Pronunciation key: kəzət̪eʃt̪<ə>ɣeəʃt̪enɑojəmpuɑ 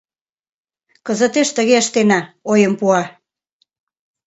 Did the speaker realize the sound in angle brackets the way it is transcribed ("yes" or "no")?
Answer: yes